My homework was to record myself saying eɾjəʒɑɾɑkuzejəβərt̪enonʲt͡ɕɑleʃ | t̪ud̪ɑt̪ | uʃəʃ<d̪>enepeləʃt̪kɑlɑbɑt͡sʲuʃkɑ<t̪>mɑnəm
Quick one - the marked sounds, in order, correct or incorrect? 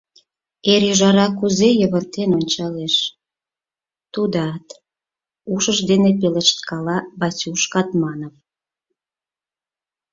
correct, correct

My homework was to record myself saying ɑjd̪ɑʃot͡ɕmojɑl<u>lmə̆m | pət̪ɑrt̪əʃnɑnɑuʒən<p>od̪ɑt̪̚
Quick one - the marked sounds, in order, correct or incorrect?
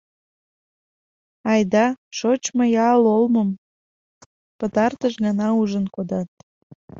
incorrect: o, incorrect: k

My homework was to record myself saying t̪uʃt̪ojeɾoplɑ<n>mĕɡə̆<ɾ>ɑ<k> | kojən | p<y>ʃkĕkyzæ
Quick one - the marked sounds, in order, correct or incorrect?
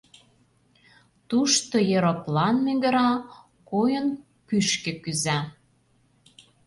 correct, correct, incorrect: none, correct

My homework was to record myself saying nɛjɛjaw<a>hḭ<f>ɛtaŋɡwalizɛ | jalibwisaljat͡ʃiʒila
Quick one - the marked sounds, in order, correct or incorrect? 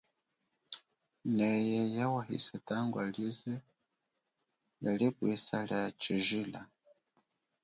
correct, incorrect: s

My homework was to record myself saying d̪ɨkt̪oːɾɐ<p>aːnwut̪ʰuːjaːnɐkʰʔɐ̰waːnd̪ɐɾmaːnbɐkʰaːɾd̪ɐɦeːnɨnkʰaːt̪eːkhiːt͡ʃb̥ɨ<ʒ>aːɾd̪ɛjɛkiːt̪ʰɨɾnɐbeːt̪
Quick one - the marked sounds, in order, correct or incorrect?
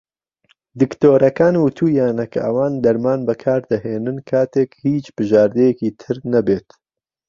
incorrect: k, correct

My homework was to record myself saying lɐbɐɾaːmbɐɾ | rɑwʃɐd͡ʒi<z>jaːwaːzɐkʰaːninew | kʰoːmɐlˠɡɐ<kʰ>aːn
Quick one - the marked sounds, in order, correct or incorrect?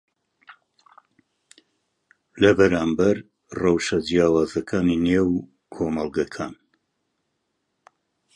incorrect: none, correct

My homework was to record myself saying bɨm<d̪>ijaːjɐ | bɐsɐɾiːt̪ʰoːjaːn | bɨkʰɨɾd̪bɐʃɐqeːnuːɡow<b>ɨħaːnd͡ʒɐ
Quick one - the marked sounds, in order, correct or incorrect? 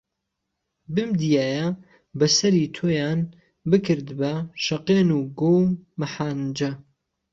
correct, incorrect: m

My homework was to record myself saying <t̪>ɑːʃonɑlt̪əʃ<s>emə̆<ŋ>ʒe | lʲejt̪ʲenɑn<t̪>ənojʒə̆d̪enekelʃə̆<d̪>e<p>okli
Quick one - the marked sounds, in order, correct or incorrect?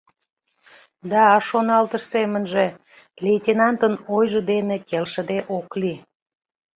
incorrect: d̪, correct, incorrect: n, correct, correct, incorrect: ʔ

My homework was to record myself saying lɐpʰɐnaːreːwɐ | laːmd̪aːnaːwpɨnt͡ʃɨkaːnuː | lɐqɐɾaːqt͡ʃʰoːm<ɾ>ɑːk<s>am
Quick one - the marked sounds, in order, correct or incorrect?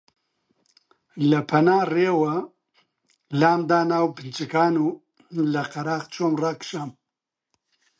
incorrect: r, incorrect: ʃ

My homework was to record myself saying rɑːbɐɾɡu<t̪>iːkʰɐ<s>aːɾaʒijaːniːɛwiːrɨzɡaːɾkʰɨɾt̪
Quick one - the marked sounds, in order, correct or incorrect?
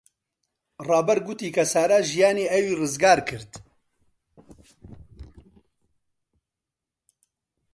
correct, correct

